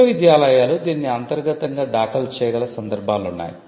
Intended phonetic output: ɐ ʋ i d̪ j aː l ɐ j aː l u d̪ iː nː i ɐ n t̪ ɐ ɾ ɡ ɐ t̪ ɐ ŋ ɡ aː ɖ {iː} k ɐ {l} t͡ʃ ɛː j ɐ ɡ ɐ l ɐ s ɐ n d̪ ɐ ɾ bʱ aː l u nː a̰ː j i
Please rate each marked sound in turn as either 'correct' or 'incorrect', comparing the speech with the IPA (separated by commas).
incorrect, correct